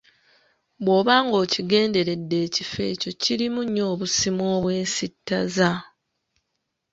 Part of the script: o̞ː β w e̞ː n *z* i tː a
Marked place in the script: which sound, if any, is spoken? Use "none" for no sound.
s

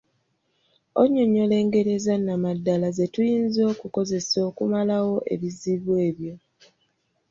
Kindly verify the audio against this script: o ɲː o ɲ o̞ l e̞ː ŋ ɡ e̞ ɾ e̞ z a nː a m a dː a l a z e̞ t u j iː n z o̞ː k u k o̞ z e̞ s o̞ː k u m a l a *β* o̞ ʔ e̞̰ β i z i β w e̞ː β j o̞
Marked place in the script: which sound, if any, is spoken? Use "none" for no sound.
w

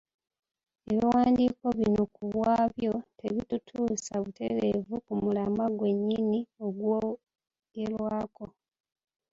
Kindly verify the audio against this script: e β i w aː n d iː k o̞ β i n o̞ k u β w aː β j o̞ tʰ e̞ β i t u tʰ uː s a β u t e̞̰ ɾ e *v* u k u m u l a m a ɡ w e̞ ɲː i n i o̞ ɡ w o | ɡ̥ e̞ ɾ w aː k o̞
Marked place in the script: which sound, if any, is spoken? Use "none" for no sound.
v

